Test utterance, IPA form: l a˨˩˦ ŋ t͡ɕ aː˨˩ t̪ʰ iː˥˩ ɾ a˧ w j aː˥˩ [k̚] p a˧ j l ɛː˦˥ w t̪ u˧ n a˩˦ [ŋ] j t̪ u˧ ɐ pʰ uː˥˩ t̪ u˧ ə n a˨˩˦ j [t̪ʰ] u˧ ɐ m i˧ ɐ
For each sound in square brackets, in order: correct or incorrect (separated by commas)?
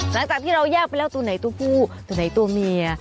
correct, incorrect, incorrect